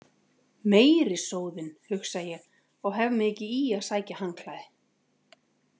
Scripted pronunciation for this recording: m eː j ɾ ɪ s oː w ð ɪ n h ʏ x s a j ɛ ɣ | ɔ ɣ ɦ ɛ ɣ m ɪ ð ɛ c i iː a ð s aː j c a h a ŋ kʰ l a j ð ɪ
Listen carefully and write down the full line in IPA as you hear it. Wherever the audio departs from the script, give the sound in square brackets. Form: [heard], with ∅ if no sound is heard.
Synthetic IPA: m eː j ɾ ɪ s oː w ð ɪ n h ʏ x s a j ɛ ɣ | ɔ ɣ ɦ ɛ [v] m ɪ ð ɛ c [ɪ] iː a ð s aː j c a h a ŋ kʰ l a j ð ɪ